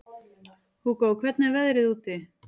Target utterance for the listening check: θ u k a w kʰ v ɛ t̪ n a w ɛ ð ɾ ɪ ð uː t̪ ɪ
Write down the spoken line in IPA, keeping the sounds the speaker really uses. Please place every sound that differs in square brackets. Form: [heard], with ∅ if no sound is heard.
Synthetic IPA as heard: [h] u k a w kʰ v ɛ t̪ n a [v] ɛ ð ɾ ɪ ð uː t̪ ɪ